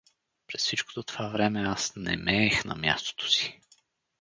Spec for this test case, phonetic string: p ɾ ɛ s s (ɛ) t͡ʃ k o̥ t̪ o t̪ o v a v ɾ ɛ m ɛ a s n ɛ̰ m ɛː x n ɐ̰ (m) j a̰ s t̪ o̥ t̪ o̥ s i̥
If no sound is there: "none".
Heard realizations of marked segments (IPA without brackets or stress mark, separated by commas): i, m